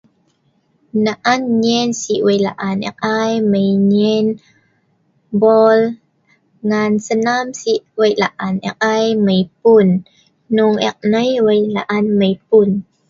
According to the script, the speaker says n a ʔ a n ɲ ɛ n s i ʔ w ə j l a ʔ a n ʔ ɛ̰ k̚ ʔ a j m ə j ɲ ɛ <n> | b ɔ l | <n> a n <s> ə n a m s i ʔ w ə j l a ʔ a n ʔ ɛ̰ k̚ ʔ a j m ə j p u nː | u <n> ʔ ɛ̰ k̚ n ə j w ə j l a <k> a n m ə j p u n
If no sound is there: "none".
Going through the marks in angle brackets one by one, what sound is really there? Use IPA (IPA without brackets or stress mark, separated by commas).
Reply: n, ŋ, s, ŋ, ʔ